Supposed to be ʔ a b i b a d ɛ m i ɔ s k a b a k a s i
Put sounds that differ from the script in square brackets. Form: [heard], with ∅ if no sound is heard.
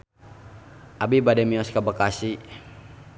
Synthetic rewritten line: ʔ a b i b a d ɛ m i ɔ s k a b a k a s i